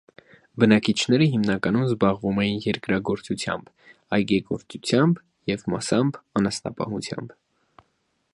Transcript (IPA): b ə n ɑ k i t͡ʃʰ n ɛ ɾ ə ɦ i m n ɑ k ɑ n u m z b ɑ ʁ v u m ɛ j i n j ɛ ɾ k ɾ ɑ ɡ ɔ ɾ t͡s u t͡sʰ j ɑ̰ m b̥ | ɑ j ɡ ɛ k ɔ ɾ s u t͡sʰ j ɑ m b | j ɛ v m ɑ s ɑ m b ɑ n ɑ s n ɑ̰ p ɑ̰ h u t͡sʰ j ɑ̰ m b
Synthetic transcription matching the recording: b ə n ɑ k i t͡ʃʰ n ɛ ɾ ə ɦ i m n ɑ k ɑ n u m z b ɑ ʁ v u m ɛ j i n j ɛ ɾ k ɾ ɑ ɡ ɔ ɾ t͡s u t͡sʰ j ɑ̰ m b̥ | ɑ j ɡ ɛ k ɔ ɾ t͡s u t͡sʰ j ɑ m b | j ɛ v m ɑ s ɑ m b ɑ n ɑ s n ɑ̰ p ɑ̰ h u t͡sʰ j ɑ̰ m b